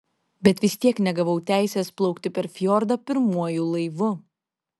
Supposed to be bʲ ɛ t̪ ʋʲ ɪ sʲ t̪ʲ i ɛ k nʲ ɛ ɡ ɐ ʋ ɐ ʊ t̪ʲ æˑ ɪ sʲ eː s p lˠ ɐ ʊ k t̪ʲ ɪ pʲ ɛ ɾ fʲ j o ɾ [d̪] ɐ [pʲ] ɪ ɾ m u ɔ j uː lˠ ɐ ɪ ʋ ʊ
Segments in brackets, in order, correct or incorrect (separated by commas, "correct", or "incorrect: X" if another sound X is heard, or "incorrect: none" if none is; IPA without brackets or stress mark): correct, correct